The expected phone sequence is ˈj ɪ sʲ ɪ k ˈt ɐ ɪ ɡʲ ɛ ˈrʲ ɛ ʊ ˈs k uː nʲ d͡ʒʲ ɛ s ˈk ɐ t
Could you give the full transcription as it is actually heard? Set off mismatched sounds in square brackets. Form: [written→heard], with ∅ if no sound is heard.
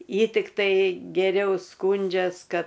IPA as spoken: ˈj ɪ [sʲ→tʲ] ɪ k ˈt ɐ ɪ ɡʲ ɛ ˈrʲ ɛ ʊ ˈs k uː nʲ d͡ʒʲ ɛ s ˈk ɐ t